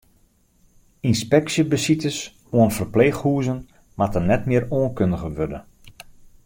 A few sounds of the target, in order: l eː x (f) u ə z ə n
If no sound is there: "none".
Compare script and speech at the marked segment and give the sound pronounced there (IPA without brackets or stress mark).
h